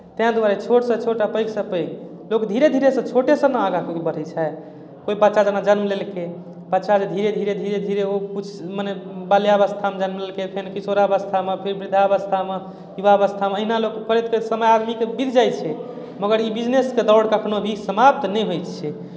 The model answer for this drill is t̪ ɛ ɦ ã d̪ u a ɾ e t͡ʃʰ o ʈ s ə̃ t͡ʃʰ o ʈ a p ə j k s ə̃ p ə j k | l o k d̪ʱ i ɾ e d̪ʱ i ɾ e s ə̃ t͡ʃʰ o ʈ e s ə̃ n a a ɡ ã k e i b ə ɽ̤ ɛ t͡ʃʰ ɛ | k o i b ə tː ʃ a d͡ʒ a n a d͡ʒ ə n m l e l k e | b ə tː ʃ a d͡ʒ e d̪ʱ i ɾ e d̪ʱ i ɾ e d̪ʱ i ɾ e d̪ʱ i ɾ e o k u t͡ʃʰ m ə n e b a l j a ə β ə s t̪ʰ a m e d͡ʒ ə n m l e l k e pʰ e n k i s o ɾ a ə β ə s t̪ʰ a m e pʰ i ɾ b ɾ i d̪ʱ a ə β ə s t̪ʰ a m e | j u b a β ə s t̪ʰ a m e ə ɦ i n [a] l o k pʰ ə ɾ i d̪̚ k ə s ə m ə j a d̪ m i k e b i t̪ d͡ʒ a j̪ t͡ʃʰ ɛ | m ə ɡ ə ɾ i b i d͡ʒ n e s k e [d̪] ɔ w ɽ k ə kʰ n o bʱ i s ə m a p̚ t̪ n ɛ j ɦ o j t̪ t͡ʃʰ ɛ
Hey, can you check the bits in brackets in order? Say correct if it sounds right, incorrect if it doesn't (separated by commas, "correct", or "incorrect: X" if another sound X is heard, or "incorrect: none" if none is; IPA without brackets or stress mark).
correct, correct